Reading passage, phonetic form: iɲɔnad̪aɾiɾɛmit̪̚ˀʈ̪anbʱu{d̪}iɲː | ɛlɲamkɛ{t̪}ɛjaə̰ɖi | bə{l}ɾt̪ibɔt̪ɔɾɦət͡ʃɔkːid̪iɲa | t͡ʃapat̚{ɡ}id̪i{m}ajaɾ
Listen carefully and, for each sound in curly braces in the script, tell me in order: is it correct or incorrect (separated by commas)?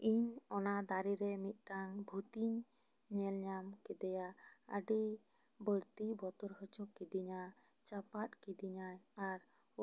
incorrect, incorrect, incorrect, incorrect, incorrect